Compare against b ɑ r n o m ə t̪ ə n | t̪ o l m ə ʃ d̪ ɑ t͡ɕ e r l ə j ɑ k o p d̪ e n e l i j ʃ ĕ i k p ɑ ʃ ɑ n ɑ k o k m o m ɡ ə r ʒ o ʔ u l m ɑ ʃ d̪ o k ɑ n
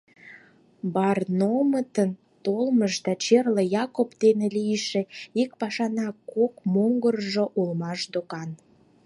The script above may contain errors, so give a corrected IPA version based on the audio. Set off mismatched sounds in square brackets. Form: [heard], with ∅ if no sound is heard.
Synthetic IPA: b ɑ r n o m ə t̪ ə n | t̪ o l m ə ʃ d̪ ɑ t͡ɕ e r l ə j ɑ k o p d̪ e n e l i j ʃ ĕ i k p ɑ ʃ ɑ n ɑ k o k m o [ŋ] ɡ ə r ʒ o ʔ u l m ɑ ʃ d̪ o k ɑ n